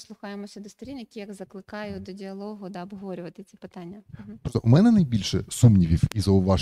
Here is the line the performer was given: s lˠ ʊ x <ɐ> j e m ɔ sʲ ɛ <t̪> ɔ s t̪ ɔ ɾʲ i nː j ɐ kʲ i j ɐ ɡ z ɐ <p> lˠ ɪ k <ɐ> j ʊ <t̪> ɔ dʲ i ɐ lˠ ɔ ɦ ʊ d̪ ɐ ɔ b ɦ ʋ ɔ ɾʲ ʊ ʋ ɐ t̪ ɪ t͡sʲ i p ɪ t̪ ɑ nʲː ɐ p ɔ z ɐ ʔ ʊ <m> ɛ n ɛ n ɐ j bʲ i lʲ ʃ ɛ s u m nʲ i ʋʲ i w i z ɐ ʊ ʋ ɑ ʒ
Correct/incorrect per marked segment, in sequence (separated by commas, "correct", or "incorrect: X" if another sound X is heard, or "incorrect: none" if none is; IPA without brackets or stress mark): incorrect: ɑ, incorrect: d̪, incorrect: k, incorrect: ɑ, incorrect: d̪, correct